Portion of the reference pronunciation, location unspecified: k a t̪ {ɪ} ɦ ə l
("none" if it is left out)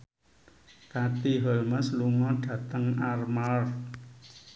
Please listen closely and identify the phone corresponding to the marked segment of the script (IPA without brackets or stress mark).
i